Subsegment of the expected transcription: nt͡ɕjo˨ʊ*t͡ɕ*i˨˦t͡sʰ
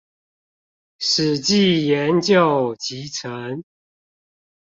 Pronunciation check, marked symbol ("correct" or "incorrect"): correct